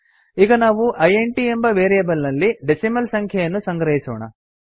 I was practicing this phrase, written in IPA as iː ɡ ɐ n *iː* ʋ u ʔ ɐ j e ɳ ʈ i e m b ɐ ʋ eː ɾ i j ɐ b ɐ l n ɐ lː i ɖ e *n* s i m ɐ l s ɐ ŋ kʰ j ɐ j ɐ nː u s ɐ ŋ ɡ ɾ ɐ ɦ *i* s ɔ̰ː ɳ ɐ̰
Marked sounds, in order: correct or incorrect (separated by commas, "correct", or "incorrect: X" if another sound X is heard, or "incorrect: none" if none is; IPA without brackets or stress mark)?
incorrect: aː, incorrect: none, correct